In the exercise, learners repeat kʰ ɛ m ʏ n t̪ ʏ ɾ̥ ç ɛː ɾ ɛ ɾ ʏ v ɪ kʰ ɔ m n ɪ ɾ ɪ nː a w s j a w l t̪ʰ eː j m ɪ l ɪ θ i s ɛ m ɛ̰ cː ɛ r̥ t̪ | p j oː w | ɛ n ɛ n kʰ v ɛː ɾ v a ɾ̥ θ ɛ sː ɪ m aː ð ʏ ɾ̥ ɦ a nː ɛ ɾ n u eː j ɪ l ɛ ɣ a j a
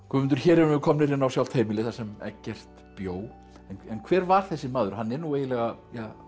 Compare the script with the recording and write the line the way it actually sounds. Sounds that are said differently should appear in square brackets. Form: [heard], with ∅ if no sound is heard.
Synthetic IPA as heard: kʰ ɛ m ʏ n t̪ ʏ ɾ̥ ç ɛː ɾ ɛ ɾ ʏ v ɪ kʰ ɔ m n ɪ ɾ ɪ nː a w s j a w l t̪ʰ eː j m ɪ l ɪ θ [a] s ɛ m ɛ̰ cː ɛ r̥ t̪ | p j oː w | ɛ n ɛ n kʰ v ɛː ɾ v a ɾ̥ θ ɛ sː ɪ m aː ð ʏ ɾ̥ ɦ a nː ɛ ɾ n u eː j ɪ l ɛ ɣ a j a